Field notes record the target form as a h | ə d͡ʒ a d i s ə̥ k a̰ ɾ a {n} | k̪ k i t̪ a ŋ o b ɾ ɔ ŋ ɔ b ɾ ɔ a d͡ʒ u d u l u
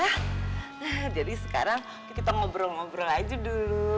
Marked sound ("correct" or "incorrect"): incorrect